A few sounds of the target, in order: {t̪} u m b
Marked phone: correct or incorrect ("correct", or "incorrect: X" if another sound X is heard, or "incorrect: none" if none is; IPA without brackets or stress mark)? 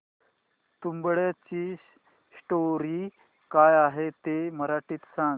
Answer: correct